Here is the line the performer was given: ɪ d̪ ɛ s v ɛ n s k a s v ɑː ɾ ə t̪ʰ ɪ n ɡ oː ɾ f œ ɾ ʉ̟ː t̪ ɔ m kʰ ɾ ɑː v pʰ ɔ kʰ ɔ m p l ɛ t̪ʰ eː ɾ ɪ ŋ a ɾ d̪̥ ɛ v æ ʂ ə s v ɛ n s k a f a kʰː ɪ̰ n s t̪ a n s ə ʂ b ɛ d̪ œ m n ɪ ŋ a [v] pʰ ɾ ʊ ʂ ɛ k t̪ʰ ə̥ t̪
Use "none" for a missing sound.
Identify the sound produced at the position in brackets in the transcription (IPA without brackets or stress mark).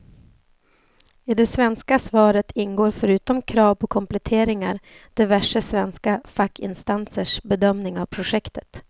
v